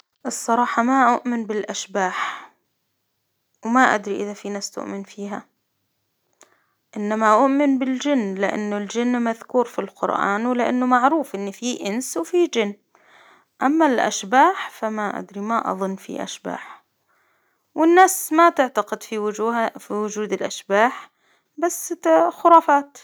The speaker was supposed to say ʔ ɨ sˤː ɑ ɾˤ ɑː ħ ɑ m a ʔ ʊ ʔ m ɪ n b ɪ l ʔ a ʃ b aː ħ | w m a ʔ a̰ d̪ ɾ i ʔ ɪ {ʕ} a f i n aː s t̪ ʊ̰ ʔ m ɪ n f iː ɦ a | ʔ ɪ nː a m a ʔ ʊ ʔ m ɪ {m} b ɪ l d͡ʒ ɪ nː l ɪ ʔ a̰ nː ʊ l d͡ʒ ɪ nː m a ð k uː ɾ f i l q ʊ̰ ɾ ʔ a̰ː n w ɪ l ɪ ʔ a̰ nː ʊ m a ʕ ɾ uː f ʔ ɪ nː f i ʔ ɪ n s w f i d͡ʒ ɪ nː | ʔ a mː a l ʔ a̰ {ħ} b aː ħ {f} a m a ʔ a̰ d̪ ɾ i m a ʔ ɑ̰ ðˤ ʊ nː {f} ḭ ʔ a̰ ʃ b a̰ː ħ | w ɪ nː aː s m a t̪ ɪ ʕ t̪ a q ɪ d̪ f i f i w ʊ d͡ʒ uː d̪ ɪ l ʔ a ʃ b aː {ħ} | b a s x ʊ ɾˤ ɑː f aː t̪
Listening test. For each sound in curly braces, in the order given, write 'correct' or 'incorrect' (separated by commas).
incorrect, incorrect, incorrect, correct, correct, correct